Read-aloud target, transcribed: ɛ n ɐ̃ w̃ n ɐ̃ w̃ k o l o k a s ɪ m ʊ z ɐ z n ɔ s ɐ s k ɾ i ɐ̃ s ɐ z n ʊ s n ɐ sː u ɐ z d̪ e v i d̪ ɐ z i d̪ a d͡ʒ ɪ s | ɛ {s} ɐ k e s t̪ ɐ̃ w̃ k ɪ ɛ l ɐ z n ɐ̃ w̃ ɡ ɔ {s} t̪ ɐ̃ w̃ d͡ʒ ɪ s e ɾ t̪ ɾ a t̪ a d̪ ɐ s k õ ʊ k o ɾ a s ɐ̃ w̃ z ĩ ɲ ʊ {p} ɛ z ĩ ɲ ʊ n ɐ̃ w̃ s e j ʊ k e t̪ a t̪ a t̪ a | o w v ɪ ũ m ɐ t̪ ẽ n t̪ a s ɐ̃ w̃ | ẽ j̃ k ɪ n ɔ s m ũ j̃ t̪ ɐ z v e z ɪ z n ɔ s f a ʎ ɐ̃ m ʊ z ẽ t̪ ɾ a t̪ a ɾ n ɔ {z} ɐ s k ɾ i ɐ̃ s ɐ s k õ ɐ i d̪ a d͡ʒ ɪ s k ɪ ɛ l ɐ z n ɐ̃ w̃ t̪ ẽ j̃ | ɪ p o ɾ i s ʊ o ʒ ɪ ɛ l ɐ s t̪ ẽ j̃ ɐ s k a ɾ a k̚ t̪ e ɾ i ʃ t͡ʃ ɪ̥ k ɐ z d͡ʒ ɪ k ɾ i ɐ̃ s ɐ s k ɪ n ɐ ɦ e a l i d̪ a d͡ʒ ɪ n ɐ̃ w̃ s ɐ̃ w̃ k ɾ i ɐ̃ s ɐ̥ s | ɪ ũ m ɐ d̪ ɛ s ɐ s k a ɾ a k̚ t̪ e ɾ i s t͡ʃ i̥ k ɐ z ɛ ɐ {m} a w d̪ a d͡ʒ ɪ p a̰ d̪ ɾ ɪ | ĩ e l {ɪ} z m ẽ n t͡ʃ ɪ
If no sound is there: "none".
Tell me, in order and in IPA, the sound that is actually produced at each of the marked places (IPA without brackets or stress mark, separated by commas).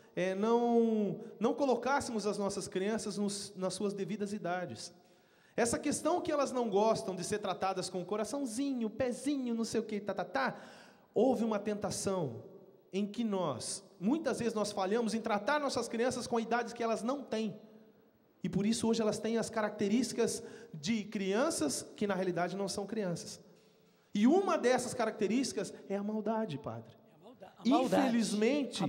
s, s, p, s, m, i